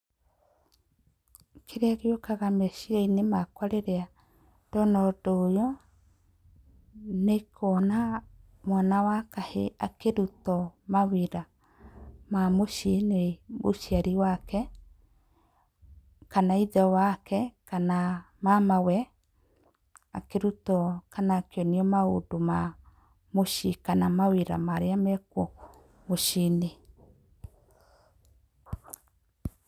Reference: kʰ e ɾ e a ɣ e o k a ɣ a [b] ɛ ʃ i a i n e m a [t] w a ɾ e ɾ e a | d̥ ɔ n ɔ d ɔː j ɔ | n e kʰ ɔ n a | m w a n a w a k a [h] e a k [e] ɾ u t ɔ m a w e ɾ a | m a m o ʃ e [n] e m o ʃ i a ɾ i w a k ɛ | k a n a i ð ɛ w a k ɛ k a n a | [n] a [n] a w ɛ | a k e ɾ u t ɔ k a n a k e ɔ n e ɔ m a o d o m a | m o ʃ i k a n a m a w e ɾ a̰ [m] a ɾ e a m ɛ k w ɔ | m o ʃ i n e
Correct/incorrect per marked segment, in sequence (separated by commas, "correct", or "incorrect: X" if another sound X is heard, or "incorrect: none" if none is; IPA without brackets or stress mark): incorrect: m, incorrect: k, correct, correct, correct, incorrect: m, incorrect: m, correct